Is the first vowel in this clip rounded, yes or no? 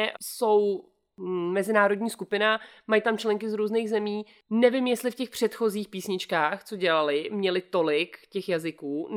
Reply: yes